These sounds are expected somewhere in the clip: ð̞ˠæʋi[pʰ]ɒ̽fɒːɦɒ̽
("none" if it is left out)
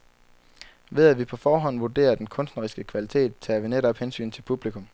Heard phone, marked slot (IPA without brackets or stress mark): pʰ